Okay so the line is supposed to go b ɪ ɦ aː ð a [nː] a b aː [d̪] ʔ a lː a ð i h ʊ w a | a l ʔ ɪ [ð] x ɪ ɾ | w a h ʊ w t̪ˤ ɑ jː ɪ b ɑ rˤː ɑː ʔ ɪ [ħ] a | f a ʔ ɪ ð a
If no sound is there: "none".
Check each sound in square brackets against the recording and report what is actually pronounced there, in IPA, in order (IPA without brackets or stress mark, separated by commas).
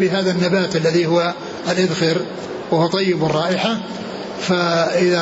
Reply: nː, t̪, ð, ħ